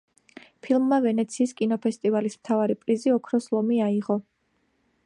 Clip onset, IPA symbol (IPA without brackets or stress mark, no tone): pʰ